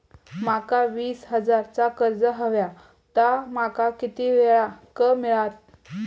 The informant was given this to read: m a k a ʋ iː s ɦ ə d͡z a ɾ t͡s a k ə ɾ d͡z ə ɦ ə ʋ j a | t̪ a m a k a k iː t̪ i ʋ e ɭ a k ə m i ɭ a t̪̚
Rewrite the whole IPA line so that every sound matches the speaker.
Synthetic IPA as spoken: m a k a ʋ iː s ɦ ə d͡z a ɾ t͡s a k ə ɾ d͡z ə ɦ ə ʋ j a | t̪ a m a k a k i t̪ i ʋ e ɭ a k ə m i ɭ a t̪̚